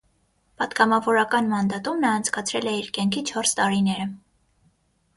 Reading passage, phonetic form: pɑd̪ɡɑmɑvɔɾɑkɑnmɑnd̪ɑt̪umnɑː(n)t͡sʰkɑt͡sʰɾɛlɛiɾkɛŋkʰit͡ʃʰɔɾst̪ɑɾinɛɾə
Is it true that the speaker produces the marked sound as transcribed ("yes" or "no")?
yes